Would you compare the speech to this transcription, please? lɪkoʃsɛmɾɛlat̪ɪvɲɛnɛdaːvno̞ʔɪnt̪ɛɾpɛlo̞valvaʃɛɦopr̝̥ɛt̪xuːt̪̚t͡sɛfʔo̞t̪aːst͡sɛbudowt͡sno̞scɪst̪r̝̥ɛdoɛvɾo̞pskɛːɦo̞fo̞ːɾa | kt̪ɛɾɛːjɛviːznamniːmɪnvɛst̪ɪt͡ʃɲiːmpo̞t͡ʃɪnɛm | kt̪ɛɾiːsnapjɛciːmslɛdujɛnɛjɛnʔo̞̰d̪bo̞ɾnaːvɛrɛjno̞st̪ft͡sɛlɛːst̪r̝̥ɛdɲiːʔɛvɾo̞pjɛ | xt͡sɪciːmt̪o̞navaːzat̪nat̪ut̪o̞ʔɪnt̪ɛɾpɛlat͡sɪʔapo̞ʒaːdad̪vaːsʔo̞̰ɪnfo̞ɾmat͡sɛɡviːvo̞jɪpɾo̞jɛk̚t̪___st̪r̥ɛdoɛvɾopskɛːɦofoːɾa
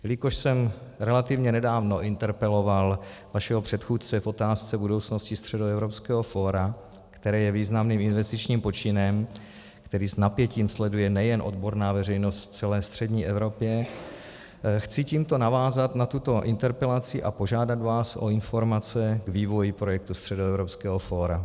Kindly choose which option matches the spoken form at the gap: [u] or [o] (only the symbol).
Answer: u